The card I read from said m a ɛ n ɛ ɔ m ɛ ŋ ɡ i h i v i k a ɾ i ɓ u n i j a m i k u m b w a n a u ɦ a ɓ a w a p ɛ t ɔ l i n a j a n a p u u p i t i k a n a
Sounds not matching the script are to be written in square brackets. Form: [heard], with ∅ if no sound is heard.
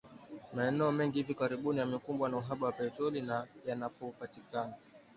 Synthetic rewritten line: m a ɛ n ɛ ɔ m ɛ ŋ ɡ i h i v i k a ɾ i ɓ u n i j a m i k u m b w a n a u ɦ a ɓ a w a p ɛ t ɔ l i n a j a n a p [ɔ] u p [a] t i k a n a